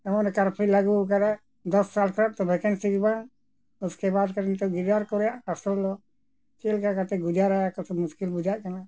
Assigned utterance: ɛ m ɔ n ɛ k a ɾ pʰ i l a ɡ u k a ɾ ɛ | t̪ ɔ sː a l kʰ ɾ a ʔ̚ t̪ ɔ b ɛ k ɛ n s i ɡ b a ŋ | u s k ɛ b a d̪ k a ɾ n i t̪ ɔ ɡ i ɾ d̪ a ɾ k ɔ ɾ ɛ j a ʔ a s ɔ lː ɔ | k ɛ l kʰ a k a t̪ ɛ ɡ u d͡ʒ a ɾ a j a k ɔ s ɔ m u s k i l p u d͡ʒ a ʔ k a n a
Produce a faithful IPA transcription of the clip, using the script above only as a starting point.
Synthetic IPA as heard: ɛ m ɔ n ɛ k a ɾ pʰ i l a ɡ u k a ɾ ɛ | d̪ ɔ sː a l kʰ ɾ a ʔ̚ t̪ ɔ b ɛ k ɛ n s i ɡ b a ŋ | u s k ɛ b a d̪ k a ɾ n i t̪ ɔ ɡ i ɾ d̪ a ɾ k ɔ ɾ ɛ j a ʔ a s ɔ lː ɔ | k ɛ l k a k a t̪ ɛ ɡ u d͡ʒ a ɾ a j a k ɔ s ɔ m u s k i l b u d͡ʒ a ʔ k a n a